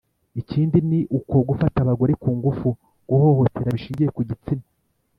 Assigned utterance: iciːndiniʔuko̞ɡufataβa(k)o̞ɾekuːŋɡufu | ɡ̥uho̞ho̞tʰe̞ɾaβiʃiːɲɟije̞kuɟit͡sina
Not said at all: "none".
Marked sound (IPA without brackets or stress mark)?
ɡ